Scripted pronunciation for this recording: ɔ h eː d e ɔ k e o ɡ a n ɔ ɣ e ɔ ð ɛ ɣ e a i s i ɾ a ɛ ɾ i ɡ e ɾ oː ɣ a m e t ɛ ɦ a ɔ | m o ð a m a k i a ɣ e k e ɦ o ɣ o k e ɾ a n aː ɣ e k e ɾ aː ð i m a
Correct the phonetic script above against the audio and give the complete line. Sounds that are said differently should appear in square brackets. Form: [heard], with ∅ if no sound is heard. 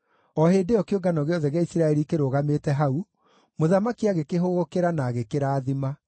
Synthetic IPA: ɔ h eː d e ɔ k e o ɡ a n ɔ ɣ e ɔ ð ɛ ɣ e a i s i ɾ a ɛ ɾ i [k] e ɾ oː ɣ a m e t ɛ ɦ a [u] | m o ð a m a k i a ɣ e k e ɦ o ɣ o k e ɾ a n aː ɣ e k e ɾ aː ð i m a